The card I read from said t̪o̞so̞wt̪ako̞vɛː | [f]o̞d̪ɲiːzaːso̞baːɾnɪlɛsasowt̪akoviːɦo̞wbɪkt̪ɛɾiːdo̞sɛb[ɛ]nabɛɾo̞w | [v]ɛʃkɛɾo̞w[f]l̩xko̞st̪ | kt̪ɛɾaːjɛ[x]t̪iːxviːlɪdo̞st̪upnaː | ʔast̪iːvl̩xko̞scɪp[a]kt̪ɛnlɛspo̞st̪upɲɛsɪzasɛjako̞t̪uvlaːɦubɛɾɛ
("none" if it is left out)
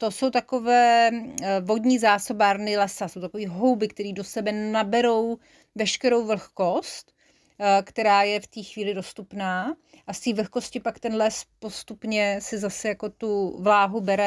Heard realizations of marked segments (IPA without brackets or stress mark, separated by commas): v, ɛ, v, v, f, a